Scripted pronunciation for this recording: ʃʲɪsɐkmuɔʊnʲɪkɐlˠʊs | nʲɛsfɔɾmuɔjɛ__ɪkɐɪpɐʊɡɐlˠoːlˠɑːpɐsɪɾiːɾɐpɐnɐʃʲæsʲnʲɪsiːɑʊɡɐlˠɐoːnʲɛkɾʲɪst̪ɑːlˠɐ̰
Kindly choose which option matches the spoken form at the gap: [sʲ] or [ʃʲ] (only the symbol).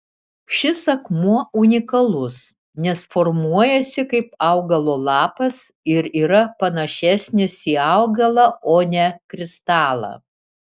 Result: sʲ